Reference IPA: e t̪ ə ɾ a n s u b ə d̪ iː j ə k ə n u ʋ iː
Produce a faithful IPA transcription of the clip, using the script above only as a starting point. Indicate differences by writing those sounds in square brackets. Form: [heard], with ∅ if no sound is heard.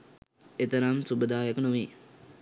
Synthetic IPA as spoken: e t̪ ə ɾ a [m] s u b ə d̪ [aː] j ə k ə n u ʋ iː